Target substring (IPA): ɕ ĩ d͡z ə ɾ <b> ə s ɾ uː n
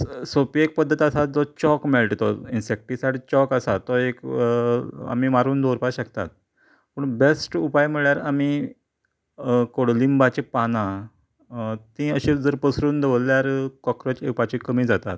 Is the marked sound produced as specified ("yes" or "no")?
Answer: no